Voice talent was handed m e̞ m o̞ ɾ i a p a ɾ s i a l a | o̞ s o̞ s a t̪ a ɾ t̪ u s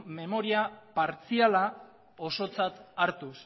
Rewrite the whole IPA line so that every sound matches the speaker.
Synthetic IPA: m e̞ m o̞ ɾ i a p a ɾ t͡s i a l a | o̞ s o̞ t͡s a t̪ a ɾ t̪ u s